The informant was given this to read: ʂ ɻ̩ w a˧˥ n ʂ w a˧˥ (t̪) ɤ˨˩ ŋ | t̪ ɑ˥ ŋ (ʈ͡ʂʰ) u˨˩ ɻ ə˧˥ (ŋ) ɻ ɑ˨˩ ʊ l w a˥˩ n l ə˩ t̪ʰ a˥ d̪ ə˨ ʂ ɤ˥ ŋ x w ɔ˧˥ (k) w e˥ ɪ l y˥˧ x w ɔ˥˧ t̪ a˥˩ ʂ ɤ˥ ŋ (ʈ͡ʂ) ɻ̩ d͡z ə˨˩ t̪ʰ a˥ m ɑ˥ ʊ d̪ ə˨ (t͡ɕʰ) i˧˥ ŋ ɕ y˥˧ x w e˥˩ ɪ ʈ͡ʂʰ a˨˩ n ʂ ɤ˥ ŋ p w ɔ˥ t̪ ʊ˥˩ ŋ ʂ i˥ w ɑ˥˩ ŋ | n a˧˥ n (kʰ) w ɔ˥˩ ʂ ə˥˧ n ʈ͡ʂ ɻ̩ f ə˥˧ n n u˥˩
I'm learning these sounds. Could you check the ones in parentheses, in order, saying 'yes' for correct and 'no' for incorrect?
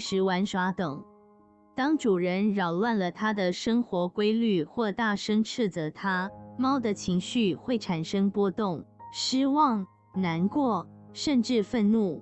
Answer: yes, no, no, yes, no, yes, no

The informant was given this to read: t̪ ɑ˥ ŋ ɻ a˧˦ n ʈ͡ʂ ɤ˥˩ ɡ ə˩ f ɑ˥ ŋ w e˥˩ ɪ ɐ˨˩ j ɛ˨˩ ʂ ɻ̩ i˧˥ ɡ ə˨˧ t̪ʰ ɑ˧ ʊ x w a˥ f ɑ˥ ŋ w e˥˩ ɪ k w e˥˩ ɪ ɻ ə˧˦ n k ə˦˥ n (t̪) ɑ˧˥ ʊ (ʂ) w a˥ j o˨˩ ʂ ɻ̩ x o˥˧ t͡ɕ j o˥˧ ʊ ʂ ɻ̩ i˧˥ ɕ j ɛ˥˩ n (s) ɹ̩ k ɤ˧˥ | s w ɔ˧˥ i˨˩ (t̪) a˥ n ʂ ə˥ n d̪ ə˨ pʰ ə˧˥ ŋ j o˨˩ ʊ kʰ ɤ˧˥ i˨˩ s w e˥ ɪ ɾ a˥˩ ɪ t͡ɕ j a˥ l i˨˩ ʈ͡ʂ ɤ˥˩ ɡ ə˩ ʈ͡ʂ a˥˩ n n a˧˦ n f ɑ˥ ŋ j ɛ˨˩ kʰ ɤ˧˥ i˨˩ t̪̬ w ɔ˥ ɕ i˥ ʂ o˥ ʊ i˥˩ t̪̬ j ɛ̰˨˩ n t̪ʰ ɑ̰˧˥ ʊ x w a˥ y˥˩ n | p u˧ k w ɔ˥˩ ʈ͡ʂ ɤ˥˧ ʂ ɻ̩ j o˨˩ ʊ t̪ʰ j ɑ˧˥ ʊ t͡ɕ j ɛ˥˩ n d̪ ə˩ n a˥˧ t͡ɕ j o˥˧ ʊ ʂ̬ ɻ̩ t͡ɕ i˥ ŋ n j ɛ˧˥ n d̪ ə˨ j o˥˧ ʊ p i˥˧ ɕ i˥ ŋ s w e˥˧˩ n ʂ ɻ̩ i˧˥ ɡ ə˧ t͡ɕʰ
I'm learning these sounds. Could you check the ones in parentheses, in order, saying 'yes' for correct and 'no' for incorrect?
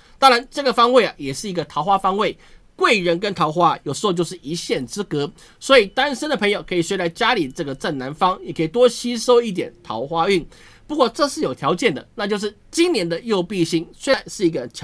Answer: no, no, no, yes

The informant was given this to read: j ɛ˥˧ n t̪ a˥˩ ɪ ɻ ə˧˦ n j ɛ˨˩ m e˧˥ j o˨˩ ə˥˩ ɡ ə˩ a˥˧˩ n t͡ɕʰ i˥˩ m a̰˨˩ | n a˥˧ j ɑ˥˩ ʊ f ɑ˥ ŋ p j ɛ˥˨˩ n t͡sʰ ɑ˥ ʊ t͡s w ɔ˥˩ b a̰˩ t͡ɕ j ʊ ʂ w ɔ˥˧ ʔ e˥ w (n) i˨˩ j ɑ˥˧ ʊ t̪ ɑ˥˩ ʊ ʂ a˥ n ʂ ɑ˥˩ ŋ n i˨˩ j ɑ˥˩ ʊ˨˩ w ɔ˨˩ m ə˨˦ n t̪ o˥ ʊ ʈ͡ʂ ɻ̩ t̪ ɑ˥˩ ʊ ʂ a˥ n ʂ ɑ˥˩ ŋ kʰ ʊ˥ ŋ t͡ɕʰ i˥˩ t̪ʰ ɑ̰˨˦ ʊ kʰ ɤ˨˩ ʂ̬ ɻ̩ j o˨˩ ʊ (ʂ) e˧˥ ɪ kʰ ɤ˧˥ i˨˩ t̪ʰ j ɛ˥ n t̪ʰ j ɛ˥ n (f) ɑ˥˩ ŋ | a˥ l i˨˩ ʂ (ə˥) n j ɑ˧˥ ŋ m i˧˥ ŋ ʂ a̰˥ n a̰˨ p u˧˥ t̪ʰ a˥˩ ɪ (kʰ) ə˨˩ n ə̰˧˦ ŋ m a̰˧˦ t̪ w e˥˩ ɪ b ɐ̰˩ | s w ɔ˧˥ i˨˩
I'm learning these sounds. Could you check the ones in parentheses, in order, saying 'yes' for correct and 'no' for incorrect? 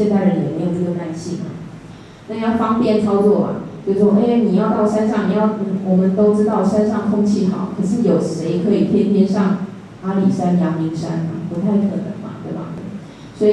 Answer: yes, yes, no, no, yes

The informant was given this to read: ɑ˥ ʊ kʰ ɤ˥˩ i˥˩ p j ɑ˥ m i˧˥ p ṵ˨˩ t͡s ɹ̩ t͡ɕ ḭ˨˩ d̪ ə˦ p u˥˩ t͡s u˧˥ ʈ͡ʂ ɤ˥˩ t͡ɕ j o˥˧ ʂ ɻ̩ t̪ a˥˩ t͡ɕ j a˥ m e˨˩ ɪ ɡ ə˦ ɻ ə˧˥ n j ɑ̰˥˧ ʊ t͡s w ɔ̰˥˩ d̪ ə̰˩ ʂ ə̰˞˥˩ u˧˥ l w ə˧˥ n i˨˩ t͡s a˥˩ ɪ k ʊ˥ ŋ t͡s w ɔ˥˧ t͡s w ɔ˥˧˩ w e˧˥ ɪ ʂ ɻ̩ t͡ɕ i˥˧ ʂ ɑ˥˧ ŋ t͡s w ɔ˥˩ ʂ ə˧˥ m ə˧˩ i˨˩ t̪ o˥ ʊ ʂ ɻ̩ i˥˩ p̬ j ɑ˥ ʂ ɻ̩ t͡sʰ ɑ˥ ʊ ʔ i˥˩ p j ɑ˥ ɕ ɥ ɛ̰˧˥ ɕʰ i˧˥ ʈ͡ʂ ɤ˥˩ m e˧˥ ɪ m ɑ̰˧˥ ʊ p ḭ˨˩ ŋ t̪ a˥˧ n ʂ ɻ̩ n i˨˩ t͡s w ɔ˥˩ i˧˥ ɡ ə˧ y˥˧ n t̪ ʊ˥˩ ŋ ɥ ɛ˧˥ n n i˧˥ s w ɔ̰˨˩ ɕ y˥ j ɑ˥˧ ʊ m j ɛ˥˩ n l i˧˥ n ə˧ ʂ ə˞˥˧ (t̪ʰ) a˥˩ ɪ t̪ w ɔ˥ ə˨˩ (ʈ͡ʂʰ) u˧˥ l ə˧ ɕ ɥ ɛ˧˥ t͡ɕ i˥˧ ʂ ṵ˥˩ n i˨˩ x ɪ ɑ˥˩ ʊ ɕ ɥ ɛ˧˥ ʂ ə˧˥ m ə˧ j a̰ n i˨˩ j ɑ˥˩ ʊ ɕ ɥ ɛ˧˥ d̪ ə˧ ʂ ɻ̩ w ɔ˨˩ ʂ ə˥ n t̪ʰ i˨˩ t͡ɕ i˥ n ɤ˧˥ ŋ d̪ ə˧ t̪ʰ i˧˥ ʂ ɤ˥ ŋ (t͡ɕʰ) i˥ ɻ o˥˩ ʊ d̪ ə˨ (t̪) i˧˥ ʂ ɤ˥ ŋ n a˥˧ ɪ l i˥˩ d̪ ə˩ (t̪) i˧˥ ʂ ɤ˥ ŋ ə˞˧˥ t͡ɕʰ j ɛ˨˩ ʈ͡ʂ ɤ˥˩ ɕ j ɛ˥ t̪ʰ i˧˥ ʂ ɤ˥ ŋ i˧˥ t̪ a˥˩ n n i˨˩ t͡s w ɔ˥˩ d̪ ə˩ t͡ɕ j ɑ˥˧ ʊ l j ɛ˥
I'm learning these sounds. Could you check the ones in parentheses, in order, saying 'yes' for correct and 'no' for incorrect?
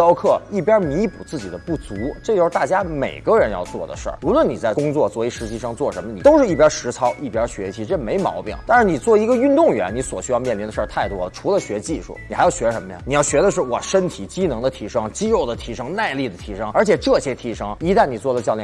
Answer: yes, yes, no, no, no

